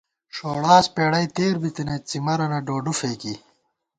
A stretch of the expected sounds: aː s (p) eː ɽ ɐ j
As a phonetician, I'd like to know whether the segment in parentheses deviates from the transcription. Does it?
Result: no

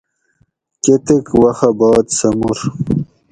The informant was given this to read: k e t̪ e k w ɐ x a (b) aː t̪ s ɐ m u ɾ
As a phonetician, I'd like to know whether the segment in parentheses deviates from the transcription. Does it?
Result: no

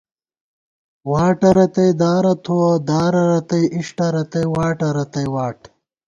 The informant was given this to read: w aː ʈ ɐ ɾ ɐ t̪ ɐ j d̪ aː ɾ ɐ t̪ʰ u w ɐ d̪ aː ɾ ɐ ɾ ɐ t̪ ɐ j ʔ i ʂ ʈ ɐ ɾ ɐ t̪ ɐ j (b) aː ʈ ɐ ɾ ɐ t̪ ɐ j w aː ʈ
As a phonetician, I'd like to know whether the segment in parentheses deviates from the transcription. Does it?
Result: yes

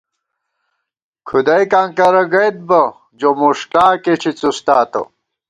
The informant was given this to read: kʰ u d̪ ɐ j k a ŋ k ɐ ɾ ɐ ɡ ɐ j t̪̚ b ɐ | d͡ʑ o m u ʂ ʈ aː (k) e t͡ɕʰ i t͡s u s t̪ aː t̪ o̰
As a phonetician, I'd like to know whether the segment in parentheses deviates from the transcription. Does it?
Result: no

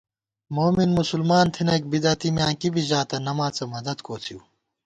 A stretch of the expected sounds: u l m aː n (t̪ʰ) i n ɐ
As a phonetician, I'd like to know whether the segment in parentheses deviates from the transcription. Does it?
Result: no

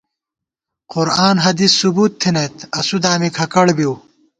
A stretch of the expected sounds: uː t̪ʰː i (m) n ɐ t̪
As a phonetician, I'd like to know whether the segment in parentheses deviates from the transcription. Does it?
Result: yes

